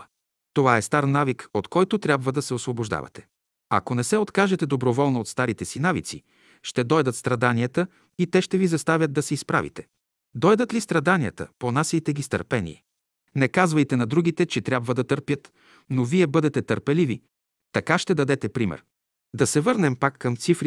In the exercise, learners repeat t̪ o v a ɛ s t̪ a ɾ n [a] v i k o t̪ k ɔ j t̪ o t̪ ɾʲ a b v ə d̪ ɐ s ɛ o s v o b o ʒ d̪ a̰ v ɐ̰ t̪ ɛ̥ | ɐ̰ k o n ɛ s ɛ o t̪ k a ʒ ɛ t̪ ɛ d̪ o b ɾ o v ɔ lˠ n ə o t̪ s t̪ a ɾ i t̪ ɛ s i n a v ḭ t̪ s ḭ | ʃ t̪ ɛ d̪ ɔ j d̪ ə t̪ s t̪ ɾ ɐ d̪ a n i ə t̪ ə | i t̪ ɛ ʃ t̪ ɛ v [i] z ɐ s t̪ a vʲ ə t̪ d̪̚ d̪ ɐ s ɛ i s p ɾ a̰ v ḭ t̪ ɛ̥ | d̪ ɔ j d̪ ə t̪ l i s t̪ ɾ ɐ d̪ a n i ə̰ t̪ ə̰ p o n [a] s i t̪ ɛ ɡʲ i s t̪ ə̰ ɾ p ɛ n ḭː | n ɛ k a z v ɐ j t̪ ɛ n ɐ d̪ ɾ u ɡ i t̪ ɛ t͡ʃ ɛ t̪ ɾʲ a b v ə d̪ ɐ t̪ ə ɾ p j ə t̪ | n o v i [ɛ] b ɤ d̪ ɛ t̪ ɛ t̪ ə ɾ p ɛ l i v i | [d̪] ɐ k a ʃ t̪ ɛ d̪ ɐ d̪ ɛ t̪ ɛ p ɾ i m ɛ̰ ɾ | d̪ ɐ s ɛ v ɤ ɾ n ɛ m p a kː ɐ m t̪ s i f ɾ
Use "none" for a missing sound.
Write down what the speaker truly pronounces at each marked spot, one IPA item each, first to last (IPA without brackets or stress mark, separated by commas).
a, i, a, ɛ, t̪